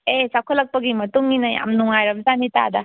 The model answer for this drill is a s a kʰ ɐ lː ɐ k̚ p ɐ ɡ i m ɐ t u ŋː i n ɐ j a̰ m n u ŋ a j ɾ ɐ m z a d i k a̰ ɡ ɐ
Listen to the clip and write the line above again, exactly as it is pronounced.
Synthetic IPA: e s a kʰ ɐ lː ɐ k̚ p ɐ ɡ i m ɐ t u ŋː i n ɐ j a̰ m n u ŋ a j ɾ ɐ m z a n i t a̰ d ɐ